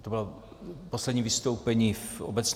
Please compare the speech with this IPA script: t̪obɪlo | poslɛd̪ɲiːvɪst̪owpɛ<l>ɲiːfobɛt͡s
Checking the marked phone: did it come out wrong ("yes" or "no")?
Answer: yes